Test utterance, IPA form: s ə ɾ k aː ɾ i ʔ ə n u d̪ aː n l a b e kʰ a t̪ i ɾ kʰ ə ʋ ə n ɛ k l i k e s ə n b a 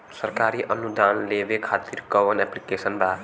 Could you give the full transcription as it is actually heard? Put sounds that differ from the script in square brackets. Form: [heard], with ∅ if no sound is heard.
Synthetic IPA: s ə ɾ k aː ɾ i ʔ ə n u d̪ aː n l [e] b e kʰ a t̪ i ɾ [k] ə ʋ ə n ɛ [p] l i k e s ə n b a